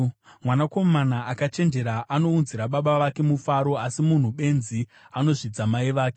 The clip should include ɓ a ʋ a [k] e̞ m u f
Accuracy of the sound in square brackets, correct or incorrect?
correct